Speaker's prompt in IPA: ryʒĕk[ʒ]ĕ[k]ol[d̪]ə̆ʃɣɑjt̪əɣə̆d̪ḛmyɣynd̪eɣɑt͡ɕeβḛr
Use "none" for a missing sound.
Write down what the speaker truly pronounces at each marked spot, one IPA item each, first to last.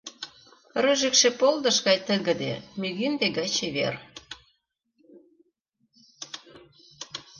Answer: ʃ, p, d̪

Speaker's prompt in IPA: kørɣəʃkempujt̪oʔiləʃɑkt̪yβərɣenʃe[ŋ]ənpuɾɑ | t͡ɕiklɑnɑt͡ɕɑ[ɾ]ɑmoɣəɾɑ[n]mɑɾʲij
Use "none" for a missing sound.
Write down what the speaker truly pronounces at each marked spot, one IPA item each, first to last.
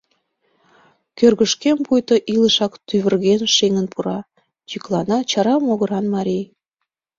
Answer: ŋ, ɾ, n

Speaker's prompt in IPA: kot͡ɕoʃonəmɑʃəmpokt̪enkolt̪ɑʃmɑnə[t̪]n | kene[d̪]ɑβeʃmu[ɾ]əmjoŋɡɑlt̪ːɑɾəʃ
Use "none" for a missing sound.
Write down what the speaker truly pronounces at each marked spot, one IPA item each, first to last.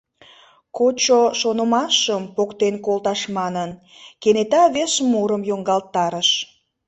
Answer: none, t̪, ɾ

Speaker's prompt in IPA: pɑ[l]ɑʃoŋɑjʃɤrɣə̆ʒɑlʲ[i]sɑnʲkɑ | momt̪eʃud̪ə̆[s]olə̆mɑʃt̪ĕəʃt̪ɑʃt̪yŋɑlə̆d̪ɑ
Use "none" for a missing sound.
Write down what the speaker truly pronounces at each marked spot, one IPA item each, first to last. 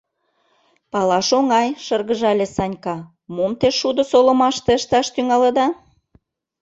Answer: l, e, s

